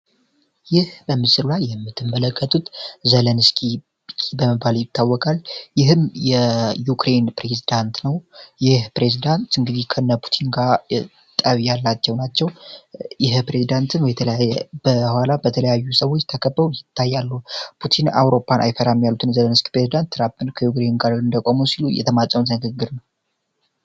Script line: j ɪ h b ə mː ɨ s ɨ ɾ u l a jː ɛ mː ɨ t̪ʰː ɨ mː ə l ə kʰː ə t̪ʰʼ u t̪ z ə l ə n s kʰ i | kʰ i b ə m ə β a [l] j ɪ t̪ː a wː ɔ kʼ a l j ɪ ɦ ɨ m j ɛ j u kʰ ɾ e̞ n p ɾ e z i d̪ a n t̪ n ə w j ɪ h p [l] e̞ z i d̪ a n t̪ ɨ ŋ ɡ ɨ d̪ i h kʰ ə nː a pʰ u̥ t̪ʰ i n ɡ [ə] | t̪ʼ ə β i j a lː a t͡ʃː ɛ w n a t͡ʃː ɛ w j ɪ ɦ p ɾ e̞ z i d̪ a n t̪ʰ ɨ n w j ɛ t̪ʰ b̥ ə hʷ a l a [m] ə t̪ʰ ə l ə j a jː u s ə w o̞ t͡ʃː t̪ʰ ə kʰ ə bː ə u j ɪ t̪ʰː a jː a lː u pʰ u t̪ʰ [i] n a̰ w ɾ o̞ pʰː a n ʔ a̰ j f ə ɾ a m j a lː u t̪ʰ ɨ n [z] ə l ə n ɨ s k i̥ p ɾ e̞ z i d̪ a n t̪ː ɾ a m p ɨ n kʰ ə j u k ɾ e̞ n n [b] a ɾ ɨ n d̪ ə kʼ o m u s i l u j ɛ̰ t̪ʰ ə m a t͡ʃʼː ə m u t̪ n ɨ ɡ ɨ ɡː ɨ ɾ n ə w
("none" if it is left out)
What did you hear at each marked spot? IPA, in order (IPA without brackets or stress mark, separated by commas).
l, ɾ, a, b, i, z, ɡ